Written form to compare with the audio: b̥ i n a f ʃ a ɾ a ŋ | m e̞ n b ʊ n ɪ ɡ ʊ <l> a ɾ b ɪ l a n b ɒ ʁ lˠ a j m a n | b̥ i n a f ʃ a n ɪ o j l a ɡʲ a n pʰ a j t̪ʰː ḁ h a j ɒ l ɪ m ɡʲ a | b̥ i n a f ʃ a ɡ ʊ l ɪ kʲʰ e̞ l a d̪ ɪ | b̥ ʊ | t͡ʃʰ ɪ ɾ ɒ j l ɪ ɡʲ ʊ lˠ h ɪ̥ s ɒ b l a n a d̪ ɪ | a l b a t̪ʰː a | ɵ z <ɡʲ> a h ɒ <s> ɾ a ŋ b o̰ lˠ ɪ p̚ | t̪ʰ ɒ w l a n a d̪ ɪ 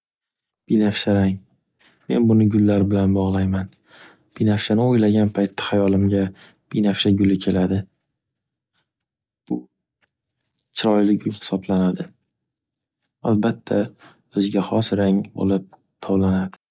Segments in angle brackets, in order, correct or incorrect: incorrect, correct, correct

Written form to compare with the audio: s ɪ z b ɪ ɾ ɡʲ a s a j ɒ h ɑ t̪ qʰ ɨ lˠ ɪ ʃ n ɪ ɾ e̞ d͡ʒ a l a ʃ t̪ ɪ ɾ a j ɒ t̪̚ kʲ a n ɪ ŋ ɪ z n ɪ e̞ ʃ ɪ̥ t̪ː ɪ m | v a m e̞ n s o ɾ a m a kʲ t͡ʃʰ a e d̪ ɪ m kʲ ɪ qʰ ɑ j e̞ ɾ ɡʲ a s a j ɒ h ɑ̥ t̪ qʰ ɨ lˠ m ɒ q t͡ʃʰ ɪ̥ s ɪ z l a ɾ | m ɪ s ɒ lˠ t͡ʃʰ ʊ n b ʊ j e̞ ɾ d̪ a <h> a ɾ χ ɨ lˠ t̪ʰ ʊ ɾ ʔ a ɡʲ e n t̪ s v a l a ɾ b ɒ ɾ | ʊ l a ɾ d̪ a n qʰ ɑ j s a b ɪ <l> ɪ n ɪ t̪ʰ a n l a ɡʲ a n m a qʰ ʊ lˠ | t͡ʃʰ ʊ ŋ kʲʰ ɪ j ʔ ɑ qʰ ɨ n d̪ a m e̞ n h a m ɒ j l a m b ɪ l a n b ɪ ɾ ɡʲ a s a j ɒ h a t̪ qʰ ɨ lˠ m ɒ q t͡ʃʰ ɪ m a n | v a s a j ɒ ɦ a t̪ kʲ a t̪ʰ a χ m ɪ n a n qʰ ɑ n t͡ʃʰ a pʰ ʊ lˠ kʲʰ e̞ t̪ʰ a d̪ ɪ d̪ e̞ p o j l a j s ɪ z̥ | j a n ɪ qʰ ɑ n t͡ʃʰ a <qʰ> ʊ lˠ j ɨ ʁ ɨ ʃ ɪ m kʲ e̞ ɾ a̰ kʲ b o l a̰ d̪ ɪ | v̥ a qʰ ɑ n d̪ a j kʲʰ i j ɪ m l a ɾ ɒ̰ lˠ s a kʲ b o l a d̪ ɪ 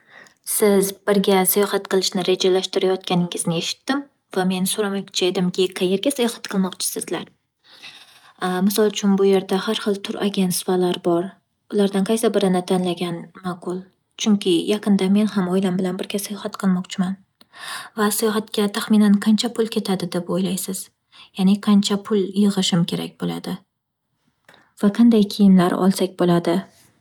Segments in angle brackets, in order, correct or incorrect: correct, incorrect, incorrect

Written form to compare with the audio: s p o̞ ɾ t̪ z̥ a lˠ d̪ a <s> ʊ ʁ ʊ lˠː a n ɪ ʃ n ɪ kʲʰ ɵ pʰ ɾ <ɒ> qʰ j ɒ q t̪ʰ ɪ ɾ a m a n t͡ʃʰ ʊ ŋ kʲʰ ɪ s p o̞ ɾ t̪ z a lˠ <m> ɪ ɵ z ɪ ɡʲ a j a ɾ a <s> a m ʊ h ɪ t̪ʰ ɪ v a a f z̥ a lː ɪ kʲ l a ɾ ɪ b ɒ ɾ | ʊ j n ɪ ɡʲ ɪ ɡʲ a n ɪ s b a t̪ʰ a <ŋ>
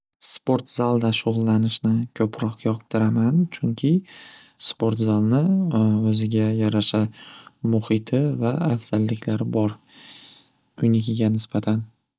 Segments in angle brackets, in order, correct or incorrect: incorrect, correct, incorrect, incorrect, incorrect

